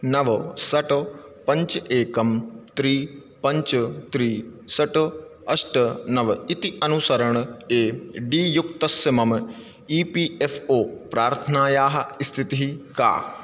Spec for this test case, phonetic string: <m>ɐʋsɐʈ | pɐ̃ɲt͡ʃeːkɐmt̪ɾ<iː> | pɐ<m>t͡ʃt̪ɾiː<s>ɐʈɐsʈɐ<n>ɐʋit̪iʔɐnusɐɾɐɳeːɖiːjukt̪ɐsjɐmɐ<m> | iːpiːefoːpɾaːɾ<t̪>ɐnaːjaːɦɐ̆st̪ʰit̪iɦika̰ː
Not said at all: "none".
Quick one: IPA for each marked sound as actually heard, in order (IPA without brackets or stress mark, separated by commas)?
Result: n, iː, ɲ, s, n, m, t̪ʰ